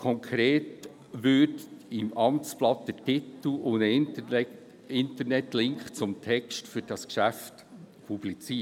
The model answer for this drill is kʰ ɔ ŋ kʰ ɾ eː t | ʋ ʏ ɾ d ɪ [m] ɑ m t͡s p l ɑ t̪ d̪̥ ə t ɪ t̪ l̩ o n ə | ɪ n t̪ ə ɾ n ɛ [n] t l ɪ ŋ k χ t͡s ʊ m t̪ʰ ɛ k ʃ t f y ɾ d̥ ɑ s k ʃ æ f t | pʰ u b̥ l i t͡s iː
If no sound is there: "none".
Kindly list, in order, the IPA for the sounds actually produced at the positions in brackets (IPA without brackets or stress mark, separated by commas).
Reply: m, none